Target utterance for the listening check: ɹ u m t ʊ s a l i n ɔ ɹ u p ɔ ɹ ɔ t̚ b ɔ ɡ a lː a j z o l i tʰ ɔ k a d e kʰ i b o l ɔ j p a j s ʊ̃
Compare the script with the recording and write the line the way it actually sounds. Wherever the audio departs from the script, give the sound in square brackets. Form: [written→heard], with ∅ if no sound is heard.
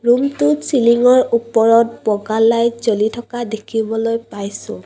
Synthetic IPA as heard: ɹ u m t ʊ s [a→i] l i [n→ŋ] ɔ ɹ u p ɔ ɹ ɔ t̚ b ɔ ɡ a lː a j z o l i tʰ ɔ k a d e kʰ i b [o→ɔ] l [ɔ→o] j p a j s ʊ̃